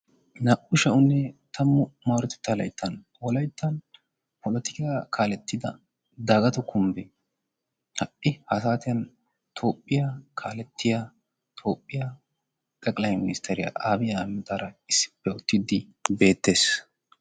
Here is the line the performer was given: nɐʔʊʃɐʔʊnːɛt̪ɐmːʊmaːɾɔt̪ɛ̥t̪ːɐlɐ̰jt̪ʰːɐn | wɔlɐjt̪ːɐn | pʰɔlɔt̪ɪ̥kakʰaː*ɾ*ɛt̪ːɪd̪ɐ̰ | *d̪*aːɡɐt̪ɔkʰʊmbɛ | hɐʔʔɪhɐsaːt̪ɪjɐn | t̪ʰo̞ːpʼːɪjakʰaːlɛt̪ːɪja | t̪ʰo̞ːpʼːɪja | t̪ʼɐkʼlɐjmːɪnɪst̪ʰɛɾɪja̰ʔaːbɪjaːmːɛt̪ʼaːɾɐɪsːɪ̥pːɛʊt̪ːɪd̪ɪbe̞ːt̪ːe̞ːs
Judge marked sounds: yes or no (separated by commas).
no, yes